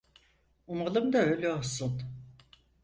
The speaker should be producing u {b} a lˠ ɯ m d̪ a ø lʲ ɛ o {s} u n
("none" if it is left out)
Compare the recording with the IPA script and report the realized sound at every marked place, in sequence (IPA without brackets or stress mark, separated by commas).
m, s